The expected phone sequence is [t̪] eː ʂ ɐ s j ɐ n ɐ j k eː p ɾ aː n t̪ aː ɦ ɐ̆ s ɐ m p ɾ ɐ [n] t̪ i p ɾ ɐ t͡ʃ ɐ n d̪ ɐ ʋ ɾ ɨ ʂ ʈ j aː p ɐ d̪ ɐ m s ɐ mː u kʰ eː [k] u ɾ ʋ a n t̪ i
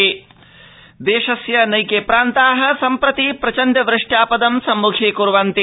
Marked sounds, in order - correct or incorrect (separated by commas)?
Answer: incorrect, incorrect, correct